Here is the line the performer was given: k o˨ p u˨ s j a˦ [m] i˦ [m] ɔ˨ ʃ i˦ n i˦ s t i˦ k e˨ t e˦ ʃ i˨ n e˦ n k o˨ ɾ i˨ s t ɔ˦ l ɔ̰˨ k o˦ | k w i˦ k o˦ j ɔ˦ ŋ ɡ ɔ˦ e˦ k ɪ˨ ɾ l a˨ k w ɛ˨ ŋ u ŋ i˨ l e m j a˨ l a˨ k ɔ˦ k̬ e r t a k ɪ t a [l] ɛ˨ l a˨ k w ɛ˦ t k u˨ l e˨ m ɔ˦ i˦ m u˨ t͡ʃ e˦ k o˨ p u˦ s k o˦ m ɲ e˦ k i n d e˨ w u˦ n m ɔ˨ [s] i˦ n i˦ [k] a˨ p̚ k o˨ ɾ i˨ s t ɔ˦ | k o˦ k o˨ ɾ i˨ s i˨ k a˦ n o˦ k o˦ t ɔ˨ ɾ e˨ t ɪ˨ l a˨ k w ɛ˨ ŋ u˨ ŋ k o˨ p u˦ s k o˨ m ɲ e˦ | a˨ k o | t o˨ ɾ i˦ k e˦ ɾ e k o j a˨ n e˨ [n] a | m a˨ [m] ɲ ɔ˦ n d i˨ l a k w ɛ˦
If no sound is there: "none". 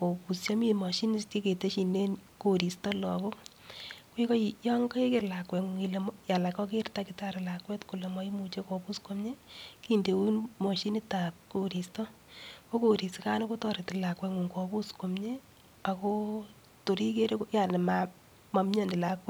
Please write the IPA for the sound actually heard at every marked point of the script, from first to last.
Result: m, m, ɾ, ʃ, t, m, m

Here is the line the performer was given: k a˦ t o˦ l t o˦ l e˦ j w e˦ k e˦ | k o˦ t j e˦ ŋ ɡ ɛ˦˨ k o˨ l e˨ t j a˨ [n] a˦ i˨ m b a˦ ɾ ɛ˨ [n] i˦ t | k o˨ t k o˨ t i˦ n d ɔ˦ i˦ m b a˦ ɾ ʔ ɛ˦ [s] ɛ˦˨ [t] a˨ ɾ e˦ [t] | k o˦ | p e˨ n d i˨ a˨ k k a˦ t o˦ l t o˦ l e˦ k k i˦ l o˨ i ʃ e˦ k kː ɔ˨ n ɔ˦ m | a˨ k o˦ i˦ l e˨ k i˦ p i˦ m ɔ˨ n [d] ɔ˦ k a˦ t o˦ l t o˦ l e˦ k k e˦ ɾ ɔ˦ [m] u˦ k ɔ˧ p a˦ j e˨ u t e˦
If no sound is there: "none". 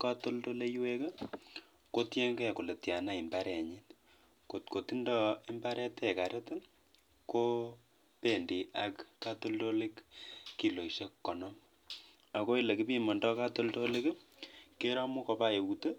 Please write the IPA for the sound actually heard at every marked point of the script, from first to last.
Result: n, ɲ, t, k, t, d, m

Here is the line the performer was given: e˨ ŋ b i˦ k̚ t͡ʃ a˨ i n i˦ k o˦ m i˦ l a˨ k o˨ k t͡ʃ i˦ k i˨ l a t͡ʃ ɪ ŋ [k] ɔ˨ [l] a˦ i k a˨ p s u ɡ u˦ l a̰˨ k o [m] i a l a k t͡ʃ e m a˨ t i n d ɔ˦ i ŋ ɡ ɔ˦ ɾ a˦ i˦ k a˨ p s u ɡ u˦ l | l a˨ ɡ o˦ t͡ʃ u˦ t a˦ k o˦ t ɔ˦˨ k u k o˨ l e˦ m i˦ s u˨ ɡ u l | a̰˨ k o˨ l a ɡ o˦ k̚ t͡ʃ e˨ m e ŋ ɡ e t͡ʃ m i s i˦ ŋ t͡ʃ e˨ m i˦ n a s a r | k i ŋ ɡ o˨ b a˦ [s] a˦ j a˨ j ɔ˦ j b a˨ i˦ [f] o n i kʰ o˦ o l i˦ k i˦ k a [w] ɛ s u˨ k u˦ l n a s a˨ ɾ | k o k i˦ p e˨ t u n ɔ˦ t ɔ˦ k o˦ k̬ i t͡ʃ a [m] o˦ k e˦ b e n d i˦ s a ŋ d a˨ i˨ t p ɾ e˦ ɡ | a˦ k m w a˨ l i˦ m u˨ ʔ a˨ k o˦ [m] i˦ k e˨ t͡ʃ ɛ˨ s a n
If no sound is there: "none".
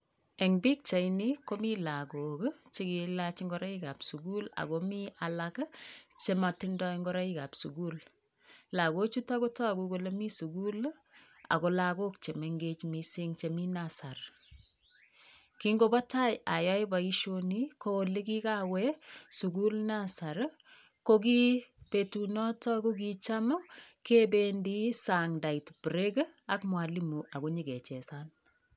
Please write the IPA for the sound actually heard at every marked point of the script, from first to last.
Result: ɡ, ɾ, m, t, ʃ, w, m, ɲ

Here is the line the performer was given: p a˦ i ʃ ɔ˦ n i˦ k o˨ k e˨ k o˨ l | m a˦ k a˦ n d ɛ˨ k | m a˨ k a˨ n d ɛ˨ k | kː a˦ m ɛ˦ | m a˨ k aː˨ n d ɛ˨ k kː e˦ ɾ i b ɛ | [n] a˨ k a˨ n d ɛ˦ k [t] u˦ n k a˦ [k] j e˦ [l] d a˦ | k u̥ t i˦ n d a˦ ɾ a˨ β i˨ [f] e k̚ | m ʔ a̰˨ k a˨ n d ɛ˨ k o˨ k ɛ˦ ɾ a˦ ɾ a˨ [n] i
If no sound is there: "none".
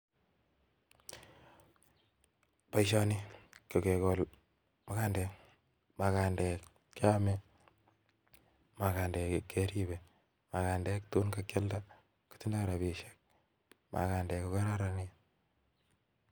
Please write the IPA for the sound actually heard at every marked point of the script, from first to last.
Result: m, t, k, l, ʃ, n

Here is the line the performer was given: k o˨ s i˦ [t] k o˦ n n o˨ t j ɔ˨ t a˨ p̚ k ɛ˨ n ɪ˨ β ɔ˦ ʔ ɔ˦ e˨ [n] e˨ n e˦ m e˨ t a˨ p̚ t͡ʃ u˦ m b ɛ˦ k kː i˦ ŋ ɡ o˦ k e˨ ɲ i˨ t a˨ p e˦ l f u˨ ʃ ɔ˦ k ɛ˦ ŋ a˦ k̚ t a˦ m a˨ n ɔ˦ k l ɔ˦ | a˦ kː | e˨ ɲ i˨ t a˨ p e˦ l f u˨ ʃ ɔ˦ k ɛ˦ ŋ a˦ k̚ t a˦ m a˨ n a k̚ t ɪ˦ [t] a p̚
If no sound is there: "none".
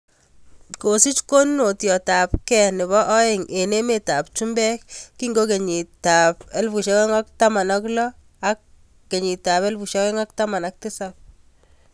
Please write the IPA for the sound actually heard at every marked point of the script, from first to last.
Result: t͡ʃ, ŋ, s

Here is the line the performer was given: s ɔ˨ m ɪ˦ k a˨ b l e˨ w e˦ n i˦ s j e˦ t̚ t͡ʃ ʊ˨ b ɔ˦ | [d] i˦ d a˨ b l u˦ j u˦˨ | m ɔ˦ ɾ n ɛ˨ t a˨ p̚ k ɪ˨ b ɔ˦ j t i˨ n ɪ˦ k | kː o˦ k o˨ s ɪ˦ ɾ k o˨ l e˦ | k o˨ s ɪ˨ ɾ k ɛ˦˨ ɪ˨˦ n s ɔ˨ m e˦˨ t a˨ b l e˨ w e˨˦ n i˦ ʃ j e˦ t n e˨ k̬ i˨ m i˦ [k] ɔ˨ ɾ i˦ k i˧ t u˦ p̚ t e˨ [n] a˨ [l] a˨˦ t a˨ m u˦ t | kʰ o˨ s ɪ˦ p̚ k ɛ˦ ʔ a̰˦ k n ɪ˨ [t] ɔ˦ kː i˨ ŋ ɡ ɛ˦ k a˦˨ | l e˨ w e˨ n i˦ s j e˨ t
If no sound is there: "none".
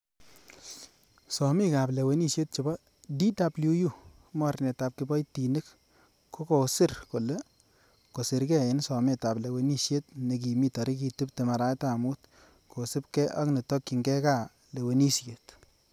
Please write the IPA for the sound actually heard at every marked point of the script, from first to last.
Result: d, t, m, ɾ, t

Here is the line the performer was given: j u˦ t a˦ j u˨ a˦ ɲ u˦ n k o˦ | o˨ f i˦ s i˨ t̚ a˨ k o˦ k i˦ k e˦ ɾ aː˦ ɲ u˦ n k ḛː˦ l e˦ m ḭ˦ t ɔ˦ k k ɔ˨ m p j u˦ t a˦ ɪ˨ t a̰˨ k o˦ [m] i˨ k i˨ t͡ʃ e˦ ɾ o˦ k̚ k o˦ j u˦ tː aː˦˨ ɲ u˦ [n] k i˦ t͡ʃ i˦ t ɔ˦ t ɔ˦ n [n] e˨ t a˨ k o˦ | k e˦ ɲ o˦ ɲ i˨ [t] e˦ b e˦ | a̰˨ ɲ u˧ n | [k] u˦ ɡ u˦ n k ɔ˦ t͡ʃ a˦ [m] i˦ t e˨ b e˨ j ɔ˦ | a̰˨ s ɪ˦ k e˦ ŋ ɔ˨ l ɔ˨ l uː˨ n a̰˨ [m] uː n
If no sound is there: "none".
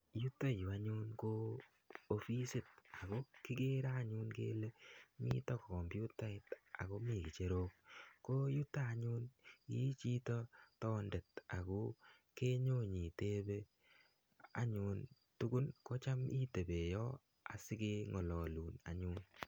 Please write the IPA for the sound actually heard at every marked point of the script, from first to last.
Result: m, n, d, t, t, m, ɲ

